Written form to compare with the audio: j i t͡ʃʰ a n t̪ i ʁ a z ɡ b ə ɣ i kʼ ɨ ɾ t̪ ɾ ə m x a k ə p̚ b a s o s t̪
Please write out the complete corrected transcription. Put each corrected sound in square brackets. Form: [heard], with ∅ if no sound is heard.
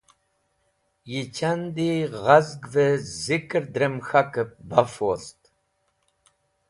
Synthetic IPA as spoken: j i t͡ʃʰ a n [d̪] i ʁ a z ɡ [v] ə [z] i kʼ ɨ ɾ [d̪] ɾ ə m x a k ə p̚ b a [f] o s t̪